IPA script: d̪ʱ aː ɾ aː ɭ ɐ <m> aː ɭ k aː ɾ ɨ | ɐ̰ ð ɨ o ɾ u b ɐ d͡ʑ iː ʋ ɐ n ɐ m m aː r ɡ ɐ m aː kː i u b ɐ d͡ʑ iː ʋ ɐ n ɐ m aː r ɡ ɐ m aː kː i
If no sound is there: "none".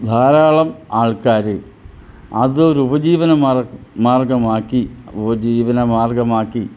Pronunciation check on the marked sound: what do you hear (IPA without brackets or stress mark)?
m